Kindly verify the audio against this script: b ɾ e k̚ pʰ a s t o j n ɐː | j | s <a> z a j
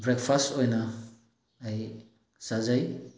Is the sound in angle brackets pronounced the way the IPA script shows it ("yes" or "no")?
yes